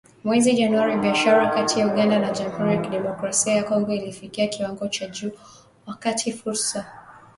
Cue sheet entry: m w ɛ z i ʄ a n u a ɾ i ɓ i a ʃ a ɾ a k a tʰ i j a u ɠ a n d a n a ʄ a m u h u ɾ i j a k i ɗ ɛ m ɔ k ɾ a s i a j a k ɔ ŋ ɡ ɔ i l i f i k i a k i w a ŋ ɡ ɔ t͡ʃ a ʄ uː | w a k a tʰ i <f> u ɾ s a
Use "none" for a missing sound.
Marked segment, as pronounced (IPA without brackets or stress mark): f